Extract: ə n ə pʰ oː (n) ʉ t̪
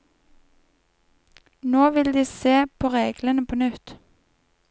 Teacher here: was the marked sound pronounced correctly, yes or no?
yes